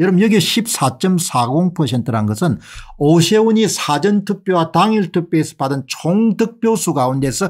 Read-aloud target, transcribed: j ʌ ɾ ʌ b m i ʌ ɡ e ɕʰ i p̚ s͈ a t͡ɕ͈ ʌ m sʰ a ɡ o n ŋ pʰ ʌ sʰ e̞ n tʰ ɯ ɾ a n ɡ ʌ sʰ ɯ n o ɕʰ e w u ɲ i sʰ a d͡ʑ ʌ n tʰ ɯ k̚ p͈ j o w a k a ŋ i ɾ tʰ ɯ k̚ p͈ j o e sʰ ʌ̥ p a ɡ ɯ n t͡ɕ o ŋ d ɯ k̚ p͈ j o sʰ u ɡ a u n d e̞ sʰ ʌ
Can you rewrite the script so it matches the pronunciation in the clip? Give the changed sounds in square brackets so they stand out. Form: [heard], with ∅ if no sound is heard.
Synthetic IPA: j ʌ ɾ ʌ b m [j] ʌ ɡ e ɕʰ i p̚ s͈ a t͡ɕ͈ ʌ m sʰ a ɡ o [∅] ŋ pʰ ʌ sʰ e̞ n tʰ ɯ ɾ a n ɡ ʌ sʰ ɯ n o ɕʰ e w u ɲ i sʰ a d͡ʑ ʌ n tʰ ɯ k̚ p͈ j o w a [t] a ŋ i [ɭ] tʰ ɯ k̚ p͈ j o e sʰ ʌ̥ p a [d] ɯ n [t͡ɕʰ] o ŋ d ɯ k̚ p͈ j o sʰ u ɡ a u n d e̞ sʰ ʌ